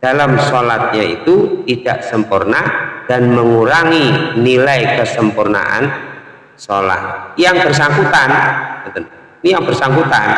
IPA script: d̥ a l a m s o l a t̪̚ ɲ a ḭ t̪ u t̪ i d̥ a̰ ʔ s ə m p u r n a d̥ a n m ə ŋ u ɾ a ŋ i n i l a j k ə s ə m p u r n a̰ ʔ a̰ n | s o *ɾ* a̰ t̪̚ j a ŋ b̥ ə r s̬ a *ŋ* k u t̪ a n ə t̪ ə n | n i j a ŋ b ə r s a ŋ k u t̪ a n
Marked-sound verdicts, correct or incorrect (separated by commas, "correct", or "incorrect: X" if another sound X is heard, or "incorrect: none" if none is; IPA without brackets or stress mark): incorrect: l, correct